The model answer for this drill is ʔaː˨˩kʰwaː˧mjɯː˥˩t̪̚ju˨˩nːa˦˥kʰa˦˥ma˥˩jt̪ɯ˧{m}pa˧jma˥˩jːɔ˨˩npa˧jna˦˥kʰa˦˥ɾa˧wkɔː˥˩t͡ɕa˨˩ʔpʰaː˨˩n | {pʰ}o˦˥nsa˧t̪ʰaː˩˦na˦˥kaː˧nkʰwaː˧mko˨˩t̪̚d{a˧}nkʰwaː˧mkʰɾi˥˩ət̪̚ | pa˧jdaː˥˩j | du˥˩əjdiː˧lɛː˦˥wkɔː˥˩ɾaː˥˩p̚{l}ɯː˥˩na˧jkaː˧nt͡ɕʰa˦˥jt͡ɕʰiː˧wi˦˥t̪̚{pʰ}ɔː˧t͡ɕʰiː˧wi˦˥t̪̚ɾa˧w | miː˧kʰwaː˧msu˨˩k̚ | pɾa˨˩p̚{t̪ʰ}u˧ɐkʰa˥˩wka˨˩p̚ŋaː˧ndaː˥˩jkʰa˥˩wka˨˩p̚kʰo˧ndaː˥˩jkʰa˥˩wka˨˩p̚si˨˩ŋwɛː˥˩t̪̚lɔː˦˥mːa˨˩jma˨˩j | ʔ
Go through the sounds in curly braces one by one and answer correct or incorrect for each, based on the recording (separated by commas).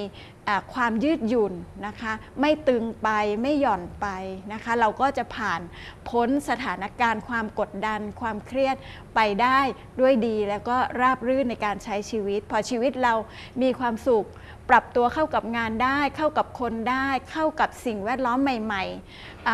incorrect, correct, correct, incorrect, correct, incorrect